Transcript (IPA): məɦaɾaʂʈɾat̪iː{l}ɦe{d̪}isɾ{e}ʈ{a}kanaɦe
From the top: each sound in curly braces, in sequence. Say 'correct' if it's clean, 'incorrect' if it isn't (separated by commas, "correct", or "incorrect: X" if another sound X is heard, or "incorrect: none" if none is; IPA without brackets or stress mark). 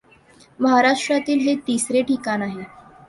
correct, incorrect: t̪, correct, incorrect: i